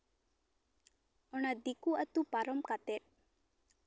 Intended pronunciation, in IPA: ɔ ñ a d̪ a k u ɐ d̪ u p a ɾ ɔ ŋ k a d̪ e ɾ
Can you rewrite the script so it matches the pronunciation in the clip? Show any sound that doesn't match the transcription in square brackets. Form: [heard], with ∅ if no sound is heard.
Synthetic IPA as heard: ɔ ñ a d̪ [i] k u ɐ [t̪] u p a ɾ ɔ [m] k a [t̪] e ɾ